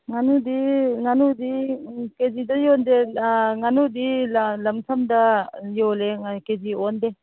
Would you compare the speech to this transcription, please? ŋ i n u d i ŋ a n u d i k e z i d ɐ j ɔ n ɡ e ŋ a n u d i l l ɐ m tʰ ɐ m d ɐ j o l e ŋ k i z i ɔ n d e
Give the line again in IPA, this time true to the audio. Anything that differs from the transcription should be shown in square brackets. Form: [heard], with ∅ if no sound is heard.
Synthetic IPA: ŋ [a] n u d i ŋ a n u d i k e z i d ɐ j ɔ n [d] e ŋ a n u d i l l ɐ m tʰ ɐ m d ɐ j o l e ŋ k [e] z i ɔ n d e